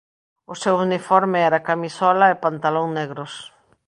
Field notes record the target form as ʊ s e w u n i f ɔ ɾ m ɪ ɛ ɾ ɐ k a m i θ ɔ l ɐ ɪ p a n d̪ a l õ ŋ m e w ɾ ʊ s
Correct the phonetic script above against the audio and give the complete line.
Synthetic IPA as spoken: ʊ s e w u n i f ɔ ɾ m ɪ ɛ ɾ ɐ k a m i s ɔ l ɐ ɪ p a n t̪ a l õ ŋ n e ɣ ɾ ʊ s